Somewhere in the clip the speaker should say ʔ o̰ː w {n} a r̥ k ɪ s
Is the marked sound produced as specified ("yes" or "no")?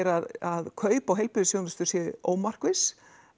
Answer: no